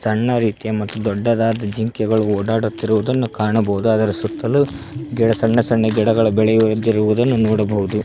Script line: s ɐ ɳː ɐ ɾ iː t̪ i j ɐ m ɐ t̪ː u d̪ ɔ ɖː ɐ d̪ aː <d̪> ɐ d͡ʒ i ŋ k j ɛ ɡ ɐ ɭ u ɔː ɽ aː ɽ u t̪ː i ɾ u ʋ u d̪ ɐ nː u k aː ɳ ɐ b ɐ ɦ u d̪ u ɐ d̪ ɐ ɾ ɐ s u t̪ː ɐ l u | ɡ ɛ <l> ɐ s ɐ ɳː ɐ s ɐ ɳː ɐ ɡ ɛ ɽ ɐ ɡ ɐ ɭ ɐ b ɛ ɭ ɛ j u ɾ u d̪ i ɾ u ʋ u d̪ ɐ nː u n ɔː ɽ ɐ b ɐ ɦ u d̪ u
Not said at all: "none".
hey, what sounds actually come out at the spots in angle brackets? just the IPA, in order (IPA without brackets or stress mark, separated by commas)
d̪, ɽ